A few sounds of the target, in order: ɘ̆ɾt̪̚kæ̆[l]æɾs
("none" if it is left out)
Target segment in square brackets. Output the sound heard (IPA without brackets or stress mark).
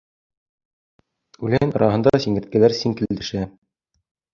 l